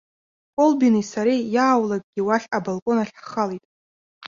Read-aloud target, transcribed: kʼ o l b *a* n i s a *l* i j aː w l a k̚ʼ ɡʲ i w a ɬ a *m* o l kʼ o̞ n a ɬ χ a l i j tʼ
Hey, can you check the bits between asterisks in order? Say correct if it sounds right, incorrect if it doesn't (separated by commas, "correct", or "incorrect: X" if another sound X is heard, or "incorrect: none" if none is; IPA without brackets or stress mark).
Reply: incorrect: i, incorrect: ɾ, incorrect: b